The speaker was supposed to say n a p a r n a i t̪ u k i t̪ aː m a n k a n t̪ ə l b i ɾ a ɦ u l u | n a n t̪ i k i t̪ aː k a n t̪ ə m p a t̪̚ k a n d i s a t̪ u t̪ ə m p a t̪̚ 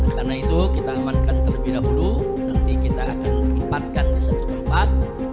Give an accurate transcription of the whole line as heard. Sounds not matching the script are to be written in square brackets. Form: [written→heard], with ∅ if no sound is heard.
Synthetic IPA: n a [p→k] a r n a i t̪ u k i t̪ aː m a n k a n t̪ ə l b i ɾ a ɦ u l u | n a n t̪ i k i t̪ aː k a n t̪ ə m p a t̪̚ k a n d i s a t̪ u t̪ ə m p a t̪̚